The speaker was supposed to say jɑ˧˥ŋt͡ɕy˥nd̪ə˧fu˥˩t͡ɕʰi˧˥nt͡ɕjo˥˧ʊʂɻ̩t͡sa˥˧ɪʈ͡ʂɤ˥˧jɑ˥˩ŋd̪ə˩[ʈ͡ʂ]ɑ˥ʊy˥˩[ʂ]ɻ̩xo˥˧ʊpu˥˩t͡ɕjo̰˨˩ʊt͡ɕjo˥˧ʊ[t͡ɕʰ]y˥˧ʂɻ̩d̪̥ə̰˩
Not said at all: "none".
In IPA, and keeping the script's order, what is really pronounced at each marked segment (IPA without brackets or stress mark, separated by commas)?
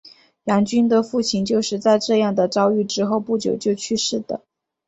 ʈ͡ʂ, ʈ͡ʂ, t͡ɕʰ